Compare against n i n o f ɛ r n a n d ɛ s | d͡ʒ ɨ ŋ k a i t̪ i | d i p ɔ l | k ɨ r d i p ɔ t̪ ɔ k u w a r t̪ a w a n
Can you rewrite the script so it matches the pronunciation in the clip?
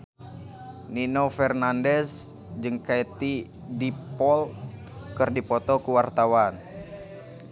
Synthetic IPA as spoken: n i n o f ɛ r n a n d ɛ s | d͡ʒ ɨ ŋ k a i t̪ i | d i p ɔ l | k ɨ r d i p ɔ t̪ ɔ k u w a r t̪ a w a n